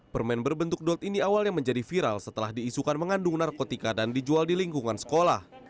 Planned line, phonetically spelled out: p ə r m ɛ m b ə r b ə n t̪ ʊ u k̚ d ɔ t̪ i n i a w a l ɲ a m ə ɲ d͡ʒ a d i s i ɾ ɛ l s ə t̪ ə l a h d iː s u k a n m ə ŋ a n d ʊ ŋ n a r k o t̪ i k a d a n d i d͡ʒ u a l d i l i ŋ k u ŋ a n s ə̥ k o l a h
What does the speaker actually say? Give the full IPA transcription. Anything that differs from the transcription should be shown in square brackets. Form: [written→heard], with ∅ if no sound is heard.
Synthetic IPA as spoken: p ə r m ɛ [m→n] b ə r b ə n t̪ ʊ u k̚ d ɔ t̪ i n i a w a l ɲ a m ə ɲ d͡ʒ a d i [s→f] i ɾ [ɛ→a] l s ə t̪ ə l a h d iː s u k a n m ə ŋ a n d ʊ ŋ n a r k o t̪ i k a d a n d i d͡ʒ u a l d i l i ŋ k u ŋ a n s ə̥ k o l a h